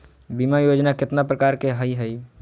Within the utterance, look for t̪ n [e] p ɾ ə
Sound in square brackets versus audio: incorrect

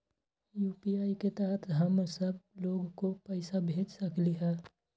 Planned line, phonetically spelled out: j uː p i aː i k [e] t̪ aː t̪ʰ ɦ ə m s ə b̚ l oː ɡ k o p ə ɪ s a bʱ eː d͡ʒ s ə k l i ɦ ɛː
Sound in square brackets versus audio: correct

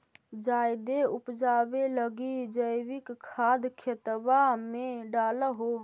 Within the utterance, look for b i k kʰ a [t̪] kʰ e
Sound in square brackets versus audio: incorrect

